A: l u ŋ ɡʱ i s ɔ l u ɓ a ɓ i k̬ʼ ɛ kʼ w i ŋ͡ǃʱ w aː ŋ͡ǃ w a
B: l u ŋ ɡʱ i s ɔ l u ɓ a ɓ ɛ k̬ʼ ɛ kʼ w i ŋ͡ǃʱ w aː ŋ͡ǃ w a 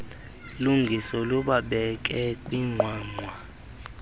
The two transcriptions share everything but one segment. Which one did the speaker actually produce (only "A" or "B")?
B